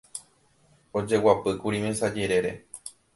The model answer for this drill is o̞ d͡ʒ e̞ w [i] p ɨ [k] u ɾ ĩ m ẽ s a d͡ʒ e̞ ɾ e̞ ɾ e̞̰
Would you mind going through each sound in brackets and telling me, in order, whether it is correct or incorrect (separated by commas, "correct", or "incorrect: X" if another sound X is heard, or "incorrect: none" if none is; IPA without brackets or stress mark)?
incorrect: a, correct